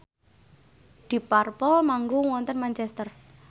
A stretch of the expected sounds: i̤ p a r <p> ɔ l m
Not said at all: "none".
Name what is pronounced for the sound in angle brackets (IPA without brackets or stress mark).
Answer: p